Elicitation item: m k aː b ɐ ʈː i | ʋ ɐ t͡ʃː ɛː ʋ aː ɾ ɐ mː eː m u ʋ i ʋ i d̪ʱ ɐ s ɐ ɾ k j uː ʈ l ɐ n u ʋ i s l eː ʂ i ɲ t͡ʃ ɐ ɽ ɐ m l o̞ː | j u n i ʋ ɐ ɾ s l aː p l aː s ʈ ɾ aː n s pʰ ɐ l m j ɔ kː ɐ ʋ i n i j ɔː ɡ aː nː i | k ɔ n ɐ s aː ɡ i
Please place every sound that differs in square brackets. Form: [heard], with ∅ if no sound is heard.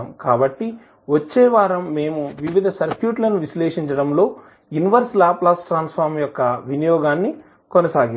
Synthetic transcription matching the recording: m k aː b ɐ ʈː i | ʋ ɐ t͡ʃː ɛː ʋ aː ɾ ɐ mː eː m u ʋ i ʋ i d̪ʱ ɐ s ɐ ɾ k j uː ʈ l ɐ n u ʋ i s l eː ʂ i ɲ t͡ʃ ɐ ɽ ɐ m l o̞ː | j u n i ʋ ɐ ɾ s l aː p l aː s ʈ ɾ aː n s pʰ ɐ [ɾ] m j ɔ kː ɐ ʋ i n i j ɔː ɡ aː nː i | k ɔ n ɐ s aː ɡ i